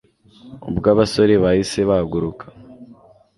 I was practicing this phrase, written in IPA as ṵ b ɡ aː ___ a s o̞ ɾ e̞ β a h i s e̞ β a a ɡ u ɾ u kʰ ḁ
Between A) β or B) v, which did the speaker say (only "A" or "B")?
A